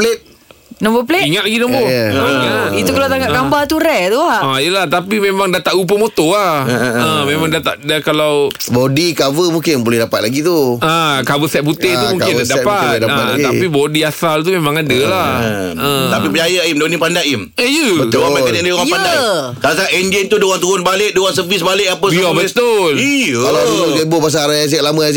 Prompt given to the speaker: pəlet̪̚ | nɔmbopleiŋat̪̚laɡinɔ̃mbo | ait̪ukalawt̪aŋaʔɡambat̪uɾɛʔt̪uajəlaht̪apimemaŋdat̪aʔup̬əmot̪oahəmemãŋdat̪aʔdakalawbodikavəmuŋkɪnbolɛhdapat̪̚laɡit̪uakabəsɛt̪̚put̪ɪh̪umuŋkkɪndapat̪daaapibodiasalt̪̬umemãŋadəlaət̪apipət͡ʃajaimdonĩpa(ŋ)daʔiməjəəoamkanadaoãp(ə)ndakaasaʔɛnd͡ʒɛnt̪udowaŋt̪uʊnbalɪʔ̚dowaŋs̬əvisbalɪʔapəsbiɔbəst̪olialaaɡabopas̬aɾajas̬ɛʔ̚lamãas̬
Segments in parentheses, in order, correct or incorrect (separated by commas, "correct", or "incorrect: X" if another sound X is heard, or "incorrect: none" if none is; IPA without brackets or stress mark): incorrect: n, incorrect: a